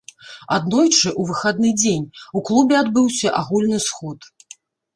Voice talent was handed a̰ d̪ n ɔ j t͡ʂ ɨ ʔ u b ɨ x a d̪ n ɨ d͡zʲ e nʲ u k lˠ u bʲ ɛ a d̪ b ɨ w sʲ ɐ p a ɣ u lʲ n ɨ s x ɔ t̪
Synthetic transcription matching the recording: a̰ d̪ n ɔ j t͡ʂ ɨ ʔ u v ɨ x a d̪ n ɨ d͡zʲ e nʲ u k lˠ u bʲ ɛ a d̪ b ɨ w sʲ ɐ ʔ a ɣ u lʲ n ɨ s x ɔ t̪

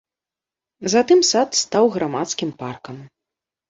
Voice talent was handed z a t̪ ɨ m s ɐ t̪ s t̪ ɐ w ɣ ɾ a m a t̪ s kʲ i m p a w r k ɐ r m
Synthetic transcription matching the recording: z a t̪ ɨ m s a t̪ s t̪ a w ɣ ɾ a m a t̪ s kʲ i m p a r k ɐ m

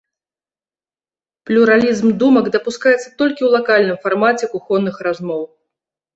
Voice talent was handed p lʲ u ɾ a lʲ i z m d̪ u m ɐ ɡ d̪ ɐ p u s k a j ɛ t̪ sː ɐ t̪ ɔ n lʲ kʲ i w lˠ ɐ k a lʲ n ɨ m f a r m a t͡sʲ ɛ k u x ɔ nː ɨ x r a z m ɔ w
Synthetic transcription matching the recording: p lʲ u ɾ a lʲ i z m d̪ u m ɐ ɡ d̪ ɐ p u s k a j ɛ t̪ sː ɐ t̪ ɔ lʲ kʲ i w lˠ a k a lʲ n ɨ m f a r m a t͡sʲ ɛ k u x ɔ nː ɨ x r a z m ɔ w

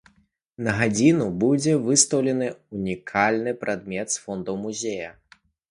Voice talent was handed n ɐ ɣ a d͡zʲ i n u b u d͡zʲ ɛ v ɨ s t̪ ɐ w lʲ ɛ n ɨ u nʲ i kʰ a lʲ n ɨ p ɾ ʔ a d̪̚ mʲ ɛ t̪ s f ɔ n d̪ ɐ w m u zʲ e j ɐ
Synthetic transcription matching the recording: n ɐ ɣ a d͡zʲ i n u b u d͡zʲ ɛ v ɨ s t̪ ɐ w lʲ ɛ n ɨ u nʲ i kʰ a lʲ n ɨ p ɾ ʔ a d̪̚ mʲ ɛ t̪ s f ɔ n d̪ ɐ w m u zʲ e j ɐ

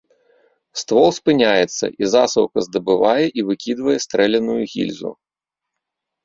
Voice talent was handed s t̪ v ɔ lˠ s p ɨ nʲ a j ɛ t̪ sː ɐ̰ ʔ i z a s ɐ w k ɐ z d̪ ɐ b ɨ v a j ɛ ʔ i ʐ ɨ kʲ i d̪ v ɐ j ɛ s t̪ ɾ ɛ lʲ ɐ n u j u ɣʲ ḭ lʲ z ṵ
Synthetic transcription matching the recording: s t̪ v ɔ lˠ s p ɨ nʲ a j ɛ t̪ sː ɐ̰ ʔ i z a s ɐ w k ɐ z d̪ ɐ b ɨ v a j ɛ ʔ i v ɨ kʲ i d̪ v ɐ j ɛ s t̪ ɾ ɛ lʲ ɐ n u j u ɣʲ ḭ lʲ z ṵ

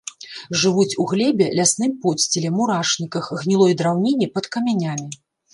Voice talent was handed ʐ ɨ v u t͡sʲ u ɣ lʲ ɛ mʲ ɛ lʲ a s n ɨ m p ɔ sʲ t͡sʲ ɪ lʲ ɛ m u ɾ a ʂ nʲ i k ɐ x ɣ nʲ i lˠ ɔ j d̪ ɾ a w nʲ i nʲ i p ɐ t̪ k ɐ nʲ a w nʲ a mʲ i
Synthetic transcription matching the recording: ʐ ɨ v u t͡sʲ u ɣ lʲ ɛ bʲ ɛ lʲ a s n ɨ m p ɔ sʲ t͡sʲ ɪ lʲ ɛ m u ɾ a ʂ nʲ i k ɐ x ɣ nʲ i lˠ ɔ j d̪ ɾ a w nʲ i nʲ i p ɐ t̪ k ɐ mʲ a nʲ a mʲ i

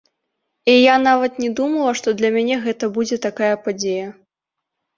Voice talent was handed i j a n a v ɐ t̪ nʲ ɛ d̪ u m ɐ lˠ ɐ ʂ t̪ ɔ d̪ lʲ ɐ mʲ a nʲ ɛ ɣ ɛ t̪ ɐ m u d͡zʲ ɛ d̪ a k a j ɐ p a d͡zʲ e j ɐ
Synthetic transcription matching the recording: i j a n a v ɐ t̪ nʲ ɛ d̪ u m ɐ lˠ ɐ ʂ t̪ ɔ d̪ lʲ ɐ mʲ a nʲ ɛ ɣ ɛ t̪ ɐ b u d͡zʲ ɛ t̪ a k a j ɐ p a d͡zʲ e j ɐ

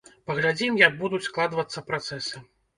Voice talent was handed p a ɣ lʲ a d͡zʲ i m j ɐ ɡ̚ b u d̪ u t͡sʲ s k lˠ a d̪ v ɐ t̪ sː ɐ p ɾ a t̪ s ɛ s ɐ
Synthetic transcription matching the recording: p ɐ ɣ lʲ a d͡zʲ i m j ɐ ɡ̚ b u d̪ u t͡sʲ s k lˠ a d̪ v ɐ t̪ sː ɐ p ɾ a t̪ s ɛ s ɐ

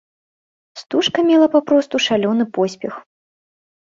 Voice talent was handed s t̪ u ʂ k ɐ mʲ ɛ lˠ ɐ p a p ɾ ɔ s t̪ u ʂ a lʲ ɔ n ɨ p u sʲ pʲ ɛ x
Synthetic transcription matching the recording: s t̪ u ʂ k ɐ mʲ ɛ lˠ ɐ p a p ɾ ɔ s t̪ u ʂ a lʲ ɔ n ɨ p ɔ sʲ pʲ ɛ x

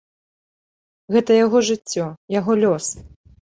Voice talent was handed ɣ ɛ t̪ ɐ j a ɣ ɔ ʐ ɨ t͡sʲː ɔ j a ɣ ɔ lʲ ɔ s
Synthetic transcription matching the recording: ɣ ɛ t̪ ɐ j a ɣ ɔ ʐ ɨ t͡sʲː ɔ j a ɣ ɔ lʲ ɔ s

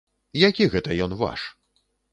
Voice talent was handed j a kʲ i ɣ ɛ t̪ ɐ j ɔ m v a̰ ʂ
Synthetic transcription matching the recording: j a kʲ i ɣ ɛ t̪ ɐ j ɔ n v a̰ ʂ

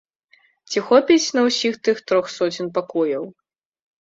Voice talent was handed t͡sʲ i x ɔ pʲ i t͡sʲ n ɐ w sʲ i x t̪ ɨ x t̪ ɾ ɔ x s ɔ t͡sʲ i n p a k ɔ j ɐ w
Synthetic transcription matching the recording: t͡sʲ i x ɔ pʲ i t͡sʲ n ɐ w sʲ i x t̪ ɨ x t̪ ɾ ɔ x s ɔ t͡sʲ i n p a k ɔ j ɐ w

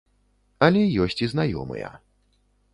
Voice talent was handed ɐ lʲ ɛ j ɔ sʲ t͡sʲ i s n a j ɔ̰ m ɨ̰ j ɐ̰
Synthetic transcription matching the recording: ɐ lʲ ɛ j ɔ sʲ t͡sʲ i z n a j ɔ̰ m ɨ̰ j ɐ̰

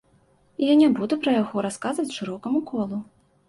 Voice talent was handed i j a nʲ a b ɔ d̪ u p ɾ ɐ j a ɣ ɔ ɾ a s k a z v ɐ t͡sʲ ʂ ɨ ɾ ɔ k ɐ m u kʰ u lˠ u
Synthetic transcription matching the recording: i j a nʲ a b u d̪ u p ɾ ɐ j a ɣ ɔ ɾ a s k a z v ɐ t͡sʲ ʂ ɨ ɾ ɔ k ɐ m u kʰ ɔ lˠ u

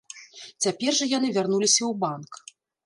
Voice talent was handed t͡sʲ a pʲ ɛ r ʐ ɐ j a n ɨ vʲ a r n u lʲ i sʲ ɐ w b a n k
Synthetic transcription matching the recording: t͡sʲ a pʲ ɛ r ʐ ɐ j a n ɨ vʲ a r n u lʲ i sʲ ɐ w b a n k

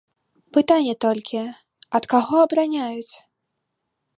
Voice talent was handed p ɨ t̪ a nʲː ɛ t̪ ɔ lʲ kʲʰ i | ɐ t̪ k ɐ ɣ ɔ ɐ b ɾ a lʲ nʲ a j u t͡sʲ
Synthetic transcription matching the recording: p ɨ t̪ a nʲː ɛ t̪ ɔ lʲ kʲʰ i | ɐ t̪ k a ɣ ɔ ɐ b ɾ a nʲ a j u t͡sʲ

